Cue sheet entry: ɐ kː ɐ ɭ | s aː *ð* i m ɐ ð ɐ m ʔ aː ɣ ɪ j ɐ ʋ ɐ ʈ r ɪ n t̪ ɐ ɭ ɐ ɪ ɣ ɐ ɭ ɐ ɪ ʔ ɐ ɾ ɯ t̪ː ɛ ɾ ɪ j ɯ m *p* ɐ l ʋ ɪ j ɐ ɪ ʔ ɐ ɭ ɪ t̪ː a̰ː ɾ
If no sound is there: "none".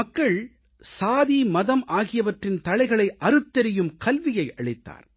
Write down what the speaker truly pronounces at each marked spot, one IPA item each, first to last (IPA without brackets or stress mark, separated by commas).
ð, k